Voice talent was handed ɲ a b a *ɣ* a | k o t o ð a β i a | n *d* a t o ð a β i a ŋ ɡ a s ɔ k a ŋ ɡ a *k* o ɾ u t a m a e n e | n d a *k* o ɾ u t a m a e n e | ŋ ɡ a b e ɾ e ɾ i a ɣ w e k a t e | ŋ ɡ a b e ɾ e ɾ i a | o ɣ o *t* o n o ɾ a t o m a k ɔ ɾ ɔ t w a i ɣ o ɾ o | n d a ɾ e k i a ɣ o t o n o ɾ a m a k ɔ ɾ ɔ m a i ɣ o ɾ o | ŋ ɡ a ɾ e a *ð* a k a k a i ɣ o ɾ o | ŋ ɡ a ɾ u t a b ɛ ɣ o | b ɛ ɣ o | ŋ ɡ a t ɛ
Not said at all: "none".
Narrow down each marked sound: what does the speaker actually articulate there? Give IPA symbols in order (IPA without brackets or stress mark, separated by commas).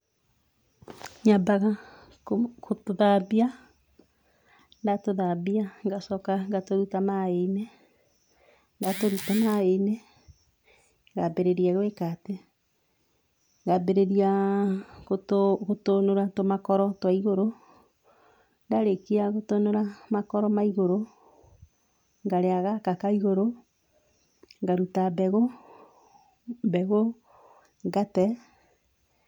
ɣ, d, t, t, t, ɣ